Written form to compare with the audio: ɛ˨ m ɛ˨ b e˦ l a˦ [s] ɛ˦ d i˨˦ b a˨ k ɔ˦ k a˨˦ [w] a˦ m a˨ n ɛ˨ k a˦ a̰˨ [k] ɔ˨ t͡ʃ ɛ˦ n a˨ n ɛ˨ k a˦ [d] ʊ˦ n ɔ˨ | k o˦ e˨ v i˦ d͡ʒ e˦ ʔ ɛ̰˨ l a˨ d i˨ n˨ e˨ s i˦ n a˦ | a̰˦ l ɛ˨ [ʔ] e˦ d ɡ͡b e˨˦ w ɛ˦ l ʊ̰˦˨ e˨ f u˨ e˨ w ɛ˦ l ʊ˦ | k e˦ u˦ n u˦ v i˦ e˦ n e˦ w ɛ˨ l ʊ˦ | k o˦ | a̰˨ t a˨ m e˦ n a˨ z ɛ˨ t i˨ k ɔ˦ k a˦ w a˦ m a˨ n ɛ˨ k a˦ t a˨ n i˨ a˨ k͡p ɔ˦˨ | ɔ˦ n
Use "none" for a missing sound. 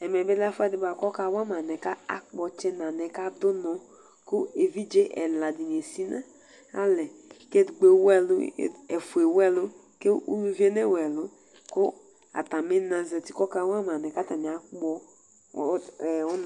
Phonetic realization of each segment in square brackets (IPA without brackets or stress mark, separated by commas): f, w, k͡p, d, k